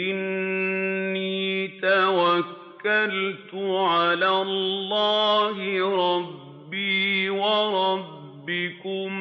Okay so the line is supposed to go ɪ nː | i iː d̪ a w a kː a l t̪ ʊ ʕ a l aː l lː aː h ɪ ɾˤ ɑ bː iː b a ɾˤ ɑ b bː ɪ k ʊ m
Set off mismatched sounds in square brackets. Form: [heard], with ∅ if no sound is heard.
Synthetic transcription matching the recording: ɪ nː | i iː [t̪] a w a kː a l t̪ ʊ ʕ a l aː l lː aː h ɪ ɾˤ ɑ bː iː [w] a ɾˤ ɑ b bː ɪ k ʊ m

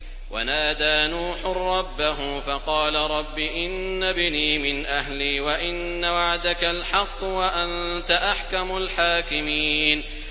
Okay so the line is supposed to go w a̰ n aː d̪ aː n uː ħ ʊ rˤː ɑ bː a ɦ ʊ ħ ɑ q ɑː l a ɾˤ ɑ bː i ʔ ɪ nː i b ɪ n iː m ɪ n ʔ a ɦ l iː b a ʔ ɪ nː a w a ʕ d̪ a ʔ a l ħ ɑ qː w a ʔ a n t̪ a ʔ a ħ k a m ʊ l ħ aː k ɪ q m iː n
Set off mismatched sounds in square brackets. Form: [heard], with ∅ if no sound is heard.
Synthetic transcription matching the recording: w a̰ n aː d̪ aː n uː ħ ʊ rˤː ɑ bː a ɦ ʊ [f] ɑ q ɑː l a ɾˤ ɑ bː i ʔ ɪ nː [a] b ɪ n iː m ɪ n ʔ a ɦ l iː [w] a ʔ ɪ nː a w a ʕ d̪ a [k] a l ħ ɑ qː w a ʔ a n t̪ a ʔ a ħ k a m ʊ l ħ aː k ɪ [∅] m iː n

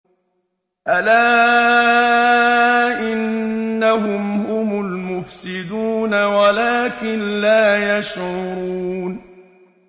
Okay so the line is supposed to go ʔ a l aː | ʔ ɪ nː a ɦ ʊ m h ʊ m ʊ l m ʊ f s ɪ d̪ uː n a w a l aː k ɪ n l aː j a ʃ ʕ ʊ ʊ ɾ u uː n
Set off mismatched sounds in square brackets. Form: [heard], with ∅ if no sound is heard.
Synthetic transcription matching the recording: ʔ a l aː | ʔ ɪ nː a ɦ ʊ m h ʊ m ʊ l m ʊ f s ɪ d̪ uː n a w a l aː k ɪ n l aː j a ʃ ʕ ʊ ʊ ɾ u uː n

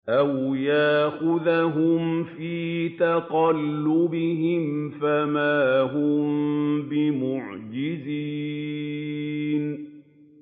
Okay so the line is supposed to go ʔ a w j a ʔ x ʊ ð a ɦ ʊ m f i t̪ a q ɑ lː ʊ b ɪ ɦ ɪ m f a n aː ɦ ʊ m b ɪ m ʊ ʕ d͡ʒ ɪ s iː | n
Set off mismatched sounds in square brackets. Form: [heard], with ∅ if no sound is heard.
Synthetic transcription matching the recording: ʔ a w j a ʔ x ʊ ð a ɦ ʊ m f [iː] t̪ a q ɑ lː ʊ b ɪ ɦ ɪ m f a [m] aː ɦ ʊ m b ɪ m ʊ ʕ d͡ʒ ɪ [z] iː | n

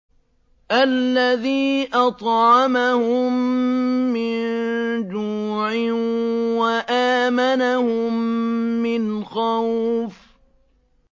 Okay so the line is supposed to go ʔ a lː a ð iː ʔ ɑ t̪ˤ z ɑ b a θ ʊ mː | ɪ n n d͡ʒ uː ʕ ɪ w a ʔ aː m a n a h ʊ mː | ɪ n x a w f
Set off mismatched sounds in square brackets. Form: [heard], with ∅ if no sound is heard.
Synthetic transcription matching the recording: ʔ a lː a ð iː ʔ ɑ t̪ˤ [ʕ] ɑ [m] a [h] ʊ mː | ɪ n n d͡ʒ uː ʕ ɪ w a ʔ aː m a n a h ʊ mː | ɪ n x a w f

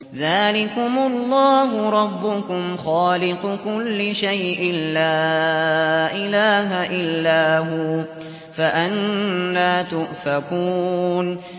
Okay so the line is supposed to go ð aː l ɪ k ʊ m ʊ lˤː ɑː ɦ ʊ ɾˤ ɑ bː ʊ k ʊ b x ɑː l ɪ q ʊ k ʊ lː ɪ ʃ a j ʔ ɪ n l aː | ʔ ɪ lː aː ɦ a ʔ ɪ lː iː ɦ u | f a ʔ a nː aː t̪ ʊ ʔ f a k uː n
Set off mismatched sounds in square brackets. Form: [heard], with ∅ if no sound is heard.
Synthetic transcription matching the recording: ð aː l ɪ k ʊ m ʊ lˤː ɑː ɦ ʊ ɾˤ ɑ bː ʊ k ʊ [m] x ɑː l ɪ q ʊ k ʊ lː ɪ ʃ a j ʔ ɪ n l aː | ʔ ɪ [l] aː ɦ a ʔ ɪ lː [aː] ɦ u | f a ʔ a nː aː t̪ ʊ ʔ f a k uː n

